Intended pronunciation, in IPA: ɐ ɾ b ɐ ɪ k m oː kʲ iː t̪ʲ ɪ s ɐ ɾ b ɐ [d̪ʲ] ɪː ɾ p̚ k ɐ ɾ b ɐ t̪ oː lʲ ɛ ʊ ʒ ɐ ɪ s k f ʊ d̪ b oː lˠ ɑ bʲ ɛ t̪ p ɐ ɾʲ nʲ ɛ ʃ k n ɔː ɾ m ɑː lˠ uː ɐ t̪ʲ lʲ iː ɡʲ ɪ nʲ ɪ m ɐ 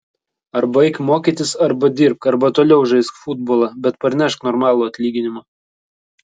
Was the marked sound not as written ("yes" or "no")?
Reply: no